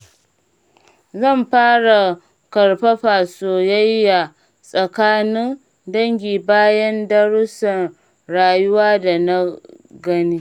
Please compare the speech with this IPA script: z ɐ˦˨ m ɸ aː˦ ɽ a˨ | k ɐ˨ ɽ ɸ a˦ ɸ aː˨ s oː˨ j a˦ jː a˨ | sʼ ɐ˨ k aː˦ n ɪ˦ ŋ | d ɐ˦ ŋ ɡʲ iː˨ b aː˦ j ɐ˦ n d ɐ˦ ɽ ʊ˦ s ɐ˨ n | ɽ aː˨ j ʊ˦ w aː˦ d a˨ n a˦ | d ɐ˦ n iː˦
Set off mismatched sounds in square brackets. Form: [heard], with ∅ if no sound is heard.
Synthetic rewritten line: z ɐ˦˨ m ɸ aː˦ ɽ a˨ | k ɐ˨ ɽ ɸ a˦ ɸ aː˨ s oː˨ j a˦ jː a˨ | sʼ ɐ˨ k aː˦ n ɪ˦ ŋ | d ɐ˦ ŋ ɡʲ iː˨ b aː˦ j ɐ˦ n d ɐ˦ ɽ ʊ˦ s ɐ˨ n | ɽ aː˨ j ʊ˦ w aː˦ d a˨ n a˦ | [ɡ] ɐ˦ n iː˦